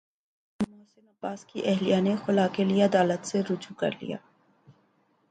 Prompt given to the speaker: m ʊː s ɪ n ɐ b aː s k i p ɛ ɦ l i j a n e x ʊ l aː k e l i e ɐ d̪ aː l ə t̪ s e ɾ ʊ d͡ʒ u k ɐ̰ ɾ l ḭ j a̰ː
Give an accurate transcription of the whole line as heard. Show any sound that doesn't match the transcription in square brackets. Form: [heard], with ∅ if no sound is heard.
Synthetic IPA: m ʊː s ɪ n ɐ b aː s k i [ʔ] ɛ ɦ l i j a n e x ʊ l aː k e l i e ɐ d̪ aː l ə t̪ s e ɾ ʊ d͡ʒ u k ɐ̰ ɾ l ḭ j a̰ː